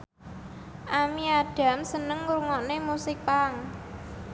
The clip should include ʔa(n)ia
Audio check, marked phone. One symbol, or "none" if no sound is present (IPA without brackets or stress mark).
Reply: m